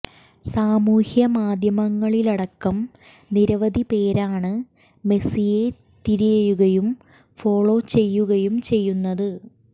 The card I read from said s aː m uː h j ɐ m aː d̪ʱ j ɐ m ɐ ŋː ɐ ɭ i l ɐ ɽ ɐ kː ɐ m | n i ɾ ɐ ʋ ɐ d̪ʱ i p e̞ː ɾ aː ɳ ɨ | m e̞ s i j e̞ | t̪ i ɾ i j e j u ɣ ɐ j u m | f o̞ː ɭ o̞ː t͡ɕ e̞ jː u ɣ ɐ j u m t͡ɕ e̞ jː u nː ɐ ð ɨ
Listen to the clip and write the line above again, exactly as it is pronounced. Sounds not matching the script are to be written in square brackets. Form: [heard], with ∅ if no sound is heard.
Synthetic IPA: s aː m uː h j ɐ m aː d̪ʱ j ɐ m ɐ ŋː ɐ ɭ i l ɐ ɽ ɐ kː ɐ m | n i ɾ ɐ ʋ ɐ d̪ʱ i p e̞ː ɾ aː ɳ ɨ | m e̞ s i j e̞ | t̪ i ɾ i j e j u ɣ ɐ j u m | f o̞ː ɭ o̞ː t͡ɕ e̞ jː u ɣ ɐ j u m t͡ɕ e̞ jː u nː ɐ ð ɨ